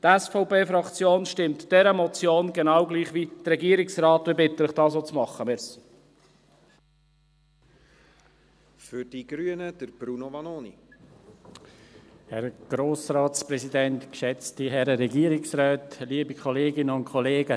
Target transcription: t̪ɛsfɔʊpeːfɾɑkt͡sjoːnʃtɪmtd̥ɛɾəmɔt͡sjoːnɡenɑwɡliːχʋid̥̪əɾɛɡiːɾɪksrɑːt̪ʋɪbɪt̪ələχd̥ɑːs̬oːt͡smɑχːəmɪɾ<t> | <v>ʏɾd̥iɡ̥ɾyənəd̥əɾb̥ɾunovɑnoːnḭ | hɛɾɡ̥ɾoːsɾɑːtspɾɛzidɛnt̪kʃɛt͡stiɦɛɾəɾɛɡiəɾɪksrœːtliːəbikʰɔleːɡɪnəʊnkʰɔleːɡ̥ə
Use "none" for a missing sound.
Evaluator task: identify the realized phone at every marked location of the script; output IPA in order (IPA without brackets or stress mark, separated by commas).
s, f